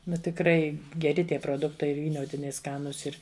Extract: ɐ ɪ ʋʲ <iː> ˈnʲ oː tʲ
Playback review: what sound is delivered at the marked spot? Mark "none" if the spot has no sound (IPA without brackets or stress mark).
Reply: iː